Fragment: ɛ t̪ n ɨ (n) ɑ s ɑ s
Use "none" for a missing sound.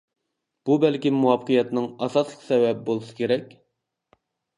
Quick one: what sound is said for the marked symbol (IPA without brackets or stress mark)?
ŋ